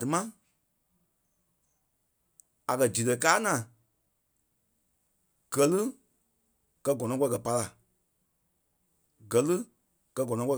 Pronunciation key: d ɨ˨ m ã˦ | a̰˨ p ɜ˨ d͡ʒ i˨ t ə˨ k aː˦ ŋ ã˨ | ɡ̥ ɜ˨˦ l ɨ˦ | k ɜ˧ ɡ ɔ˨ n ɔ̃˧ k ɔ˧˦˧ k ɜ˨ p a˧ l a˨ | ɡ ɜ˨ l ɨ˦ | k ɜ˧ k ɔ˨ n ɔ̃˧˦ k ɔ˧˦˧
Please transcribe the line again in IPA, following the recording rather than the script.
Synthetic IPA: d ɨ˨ m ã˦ | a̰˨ k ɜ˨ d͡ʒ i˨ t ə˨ k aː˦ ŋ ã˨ | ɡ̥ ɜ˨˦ l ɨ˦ | k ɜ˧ ɡ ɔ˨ n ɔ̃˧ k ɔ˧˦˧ k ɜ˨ p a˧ l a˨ | ɡ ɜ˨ l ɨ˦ | k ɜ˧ ɡ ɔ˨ n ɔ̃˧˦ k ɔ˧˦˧